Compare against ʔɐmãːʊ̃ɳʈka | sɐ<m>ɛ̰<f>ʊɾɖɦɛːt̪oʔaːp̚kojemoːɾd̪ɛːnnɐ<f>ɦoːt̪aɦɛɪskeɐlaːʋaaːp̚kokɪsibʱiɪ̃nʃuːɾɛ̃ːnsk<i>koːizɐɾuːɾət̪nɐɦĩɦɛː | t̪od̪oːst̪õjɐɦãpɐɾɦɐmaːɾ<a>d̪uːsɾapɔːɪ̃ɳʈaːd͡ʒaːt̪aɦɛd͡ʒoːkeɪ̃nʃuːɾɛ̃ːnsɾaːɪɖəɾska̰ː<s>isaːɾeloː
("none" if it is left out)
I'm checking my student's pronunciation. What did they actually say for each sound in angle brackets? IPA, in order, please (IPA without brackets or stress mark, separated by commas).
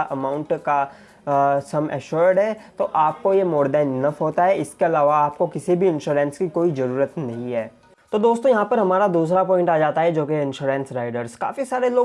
m, ʃ, f, i, a, f